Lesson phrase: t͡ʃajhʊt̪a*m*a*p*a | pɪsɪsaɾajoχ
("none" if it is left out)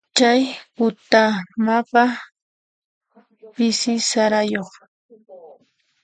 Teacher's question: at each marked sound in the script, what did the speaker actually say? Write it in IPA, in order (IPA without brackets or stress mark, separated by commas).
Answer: m, p